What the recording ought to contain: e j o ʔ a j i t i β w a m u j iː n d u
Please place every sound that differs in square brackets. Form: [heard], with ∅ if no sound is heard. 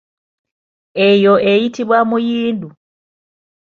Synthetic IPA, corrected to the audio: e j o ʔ [e] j i t i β w a m u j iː n d u